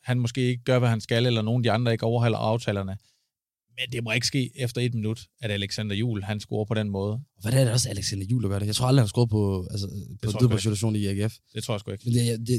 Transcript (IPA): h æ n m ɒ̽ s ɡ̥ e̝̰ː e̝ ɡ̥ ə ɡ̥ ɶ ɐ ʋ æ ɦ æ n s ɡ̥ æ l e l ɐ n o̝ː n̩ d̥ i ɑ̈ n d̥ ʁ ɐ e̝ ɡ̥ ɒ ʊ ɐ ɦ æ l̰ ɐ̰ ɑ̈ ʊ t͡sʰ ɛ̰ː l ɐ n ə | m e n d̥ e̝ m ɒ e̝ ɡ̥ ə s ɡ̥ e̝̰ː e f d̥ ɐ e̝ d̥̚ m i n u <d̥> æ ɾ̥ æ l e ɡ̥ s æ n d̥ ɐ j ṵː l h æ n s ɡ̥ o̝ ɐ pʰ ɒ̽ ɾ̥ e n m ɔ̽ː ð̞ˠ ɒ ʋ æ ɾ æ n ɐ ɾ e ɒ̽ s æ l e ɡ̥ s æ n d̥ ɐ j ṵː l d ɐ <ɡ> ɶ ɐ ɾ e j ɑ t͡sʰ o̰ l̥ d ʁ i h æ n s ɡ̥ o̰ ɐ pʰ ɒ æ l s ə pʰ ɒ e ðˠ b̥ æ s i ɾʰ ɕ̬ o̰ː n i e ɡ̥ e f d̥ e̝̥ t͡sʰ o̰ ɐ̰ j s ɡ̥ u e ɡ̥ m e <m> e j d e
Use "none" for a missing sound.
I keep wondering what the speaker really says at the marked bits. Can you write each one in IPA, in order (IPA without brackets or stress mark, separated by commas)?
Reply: d̥, ɡ, n